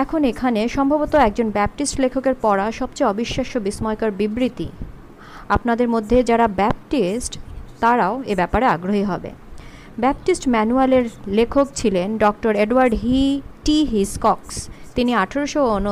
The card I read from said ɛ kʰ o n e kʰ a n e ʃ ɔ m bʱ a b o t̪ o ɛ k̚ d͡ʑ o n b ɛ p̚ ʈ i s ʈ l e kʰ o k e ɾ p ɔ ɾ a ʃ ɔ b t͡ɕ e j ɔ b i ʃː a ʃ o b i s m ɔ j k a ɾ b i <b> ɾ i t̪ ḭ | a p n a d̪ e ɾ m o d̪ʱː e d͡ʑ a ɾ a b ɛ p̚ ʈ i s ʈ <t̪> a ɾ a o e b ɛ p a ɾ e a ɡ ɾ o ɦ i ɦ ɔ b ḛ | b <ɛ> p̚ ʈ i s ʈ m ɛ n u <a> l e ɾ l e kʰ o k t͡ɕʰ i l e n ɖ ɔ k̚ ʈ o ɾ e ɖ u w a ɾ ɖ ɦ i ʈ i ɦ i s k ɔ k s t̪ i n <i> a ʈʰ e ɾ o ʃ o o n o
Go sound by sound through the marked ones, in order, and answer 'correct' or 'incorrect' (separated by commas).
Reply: correct, correct, correct, correct, correct